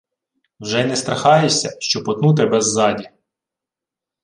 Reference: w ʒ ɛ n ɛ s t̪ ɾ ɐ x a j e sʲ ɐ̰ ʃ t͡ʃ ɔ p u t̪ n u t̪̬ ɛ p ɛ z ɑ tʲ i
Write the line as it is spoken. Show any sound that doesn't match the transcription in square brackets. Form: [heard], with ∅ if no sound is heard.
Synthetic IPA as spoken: w ʒ ɛ n ɛ s t̪ ɾ ɐ x [ɑ] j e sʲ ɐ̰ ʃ t͡ʃ ɔ p [ɔ] t̪ n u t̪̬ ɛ [b] ɛ [zː] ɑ [dʲ] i